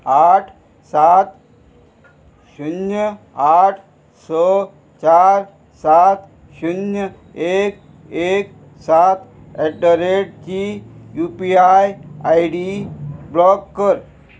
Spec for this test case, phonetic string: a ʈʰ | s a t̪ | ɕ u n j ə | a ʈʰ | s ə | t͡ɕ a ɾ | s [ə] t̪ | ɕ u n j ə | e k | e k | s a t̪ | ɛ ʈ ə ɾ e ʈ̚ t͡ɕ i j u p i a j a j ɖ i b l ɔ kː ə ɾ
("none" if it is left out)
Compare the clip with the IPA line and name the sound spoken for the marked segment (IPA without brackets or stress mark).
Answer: a